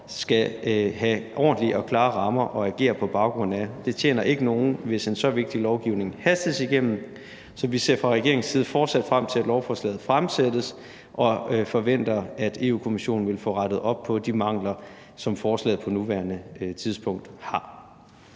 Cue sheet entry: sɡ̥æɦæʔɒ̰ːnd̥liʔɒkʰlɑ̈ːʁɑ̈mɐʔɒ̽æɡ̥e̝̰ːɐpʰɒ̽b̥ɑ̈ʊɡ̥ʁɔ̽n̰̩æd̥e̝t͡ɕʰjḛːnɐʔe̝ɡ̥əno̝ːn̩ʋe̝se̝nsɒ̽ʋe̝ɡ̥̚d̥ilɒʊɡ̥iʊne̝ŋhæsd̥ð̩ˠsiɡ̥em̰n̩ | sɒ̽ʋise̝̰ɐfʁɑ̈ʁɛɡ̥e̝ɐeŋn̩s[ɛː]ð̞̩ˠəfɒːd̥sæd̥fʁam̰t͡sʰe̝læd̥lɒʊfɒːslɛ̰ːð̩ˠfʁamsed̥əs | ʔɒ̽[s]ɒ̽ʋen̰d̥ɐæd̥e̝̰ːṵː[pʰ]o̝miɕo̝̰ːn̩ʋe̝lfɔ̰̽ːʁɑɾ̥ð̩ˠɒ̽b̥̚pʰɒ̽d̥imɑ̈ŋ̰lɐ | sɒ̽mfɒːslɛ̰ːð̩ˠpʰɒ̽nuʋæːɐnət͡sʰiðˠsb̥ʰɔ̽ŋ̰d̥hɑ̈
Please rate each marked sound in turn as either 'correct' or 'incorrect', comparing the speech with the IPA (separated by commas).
incorrect, incorrect, incorrect